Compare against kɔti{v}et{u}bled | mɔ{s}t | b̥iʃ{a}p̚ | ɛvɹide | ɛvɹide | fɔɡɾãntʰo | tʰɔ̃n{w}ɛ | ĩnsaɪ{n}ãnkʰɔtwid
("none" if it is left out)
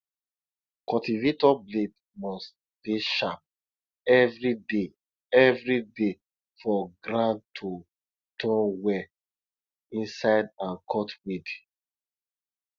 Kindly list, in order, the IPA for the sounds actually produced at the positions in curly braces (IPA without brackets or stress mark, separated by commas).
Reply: v, ɔ, s, a, w, d